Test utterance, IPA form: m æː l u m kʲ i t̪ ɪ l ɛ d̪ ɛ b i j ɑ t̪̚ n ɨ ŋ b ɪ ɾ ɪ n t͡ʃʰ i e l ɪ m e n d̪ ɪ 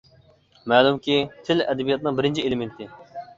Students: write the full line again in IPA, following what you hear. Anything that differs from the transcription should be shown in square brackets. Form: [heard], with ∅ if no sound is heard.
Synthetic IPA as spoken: m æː l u m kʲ i [t̪ʰ] ɪ l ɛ d̪ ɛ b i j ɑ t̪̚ n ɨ ŋ b ɪ ɾ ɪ n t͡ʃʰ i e l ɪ m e n [t̪] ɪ